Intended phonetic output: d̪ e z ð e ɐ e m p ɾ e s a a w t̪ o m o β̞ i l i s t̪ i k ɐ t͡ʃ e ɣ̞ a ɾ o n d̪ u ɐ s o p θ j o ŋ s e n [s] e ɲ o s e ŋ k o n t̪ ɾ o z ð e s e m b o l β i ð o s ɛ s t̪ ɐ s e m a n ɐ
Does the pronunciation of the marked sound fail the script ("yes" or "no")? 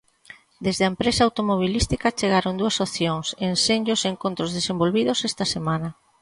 no